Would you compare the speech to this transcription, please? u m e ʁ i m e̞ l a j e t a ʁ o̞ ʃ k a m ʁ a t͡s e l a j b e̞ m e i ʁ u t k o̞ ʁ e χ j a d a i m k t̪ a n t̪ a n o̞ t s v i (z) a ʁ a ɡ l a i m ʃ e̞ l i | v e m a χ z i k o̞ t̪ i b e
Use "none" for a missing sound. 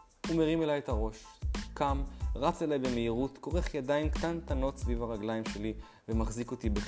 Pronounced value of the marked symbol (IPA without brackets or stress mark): v